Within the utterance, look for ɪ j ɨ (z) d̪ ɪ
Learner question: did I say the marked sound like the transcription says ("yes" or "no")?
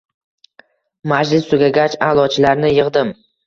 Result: no